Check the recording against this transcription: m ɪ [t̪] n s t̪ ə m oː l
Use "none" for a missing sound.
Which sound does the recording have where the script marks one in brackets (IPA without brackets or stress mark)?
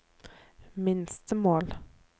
none